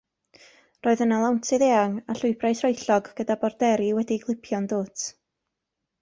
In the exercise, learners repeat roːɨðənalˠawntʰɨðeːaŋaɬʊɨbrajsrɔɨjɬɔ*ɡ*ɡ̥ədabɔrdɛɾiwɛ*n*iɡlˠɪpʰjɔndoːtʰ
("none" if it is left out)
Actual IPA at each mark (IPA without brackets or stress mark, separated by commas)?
ɡ, d